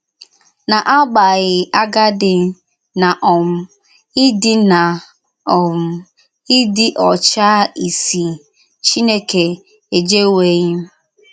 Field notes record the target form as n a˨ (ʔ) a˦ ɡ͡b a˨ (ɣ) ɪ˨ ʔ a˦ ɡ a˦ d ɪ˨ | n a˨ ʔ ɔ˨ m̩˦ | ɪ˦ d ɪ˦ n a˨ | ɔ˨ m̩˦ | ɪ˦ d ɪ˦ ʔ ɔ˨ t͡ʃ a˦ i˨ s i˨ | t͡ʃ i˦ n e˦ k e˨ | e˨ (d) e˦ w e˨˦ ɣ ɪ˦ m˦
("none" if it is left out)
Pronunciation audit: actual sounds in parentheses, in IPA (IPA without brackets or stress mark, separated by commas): ʔ, ɣ, d͡ʒ